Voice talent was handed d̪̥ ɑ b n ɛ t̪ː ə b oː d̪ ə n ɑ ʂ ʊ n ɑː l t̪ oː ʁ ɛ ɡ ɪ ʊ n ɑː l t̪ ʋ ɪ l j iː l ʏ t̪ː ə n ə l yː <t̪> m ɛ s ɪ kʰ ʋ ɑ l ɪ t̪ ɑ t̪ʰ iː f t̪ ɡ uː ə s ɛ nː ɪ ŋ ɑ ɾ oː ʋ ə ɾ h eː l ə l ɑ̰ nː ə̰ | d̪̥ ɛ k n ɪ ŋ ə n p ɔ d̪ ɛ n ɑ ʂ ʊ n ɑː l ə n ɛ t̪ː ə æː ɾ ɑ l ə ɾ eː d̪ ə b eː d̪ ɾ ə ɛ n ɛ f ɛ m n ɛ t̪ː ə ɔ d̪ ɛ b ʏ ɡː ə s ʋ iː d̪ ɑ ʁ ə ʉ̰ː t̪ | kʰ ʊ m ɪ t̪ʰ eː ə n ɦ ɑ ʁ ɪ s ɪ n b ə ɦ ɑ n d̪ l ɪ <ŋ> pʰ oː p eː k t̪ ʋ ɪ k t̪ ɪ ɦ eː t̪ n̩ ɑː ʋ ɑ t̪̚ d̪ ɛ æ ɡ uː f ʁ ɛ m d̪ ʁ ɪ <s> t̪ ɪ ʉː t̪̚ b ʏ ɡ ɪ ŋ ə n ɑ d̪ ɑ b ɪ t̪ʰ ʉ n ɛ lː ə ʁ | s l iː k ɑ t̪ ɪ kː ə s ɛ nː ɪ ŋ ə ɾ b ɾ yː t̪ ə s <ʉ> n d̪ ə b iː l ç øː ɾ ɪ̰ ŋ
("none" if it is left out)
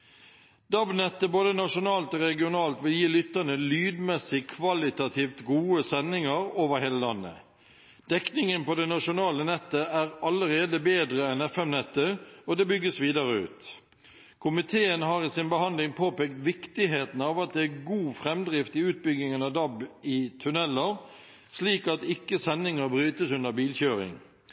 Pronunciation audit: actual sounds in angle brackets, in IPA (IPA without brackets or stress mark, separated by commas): d̪, ŋ, f, ʉ